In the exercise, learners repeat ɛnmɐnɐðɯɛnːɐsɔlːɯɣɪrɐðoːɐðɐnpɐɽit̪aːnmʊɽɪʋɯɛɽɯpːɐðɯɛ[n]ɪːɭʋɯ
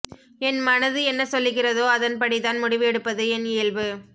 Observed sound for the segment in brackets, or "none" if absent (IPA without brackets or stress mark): n